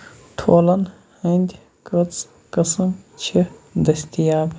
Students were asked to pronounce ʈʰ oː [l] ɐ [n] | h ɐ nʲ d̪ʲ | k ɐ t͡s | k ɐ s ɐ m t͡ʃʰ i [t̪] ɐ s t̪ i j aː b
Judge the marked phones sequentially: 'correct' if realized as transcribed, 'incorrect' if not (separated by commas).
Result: correct, correct, incorrect